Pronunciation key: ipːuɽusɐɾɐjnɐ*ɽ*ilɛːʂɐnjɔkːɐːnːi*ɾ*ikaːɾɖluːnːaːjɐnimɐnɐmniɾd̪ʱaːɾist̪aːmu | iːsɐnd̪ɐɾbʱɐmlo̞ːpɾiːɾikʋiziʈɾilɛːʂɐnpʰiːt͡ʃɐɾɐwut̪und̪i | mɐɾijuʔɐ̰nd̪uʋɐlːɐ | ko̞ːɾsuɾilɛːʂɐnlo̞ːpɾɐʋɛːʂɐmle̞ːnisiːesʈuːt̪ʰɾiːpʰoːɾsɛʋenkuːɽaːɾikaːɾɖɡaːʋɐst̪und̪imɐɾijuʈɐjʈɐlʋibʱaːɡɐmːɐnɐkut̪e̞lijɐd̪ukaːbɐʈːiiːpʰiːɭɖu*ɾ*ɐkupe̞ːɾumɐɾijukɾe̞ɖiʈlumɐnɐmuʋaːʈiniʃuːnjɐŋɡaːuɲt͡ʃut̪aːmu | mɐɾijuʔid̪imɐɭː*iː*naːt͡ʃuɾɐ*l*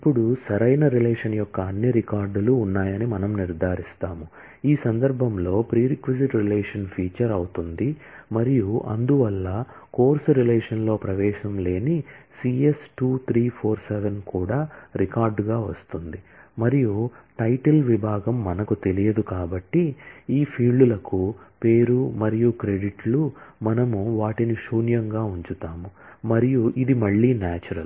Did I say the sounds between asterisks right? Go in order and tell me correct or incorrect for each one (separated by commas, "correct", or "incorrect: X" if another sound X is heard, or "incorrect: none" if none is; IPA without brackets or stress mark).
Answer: incorrect: ɾ, correct, incorrect: l, correct, correct